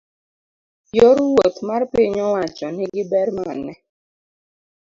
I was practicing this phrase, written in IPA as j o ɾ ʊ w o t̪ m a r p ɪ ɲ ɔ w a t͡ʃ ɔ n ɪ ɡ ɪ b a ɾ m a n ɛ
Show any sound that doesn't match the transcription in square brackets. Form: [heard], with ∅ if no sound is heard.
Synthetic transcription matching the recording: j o ɾ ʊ w o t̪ m a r p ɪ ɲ ɔ w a t͡ʃ ɔ n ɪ ɡ ɪ b [ɛ] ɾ m a n ɛ